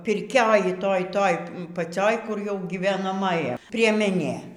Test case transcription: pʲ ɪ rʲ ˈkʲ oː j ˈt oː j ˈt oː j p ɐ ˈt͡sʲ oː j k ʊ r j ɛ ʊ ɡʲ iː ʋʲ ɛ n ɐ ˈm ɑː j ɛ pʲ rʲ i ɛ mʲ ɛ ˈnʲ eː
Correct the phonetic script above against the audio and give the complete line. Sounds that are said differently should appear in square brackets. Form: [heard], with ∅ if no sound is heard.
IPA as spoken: pʲ ɪ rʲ ˈkʲ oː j ˈt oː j ˈt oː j p ɐ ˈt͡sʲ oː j k ʊ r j ɛ ʊ ɡʲ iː ʋʲ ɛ n ɐ ˈm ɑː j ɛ pʲ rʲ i ɛ mʲ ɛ ˈnʲ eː